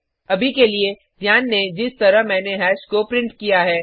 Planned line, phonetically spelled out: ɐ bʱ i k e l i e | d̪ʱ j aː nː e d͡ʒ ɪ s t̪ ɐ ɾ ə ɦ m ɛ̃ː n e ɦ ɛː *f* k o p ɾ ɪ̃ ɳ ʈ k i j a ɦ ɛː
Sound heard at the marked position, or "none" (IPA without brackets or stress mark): ʃ